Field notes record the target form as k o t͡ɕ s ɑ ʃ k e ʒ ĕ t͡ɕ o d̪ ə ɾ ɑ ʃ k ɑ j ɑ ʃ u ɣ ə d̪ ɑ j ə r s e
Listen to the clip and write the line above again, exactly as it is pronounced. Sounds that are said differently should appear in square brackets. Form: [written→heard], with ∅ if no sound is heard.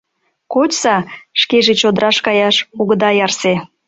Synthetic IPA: k o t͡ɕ s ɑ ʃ k e ʒ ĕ t͡ɕ o d̪ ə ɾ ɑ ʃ k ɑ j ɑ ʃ u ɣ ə d̪ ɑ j [ə→ɑ] r s e